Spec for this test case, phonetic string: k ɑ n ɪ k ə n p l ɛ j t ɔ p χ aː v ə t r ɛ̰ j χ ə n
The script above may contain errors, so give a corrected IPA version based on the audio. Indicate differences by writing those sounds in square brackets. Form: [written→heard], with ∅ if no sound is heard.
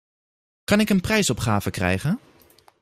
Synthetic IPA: k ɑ n ɪ k ə n p [l→r] ɛ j [t→s] ɔ p χ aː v ə [t→k] r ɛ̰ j χ ə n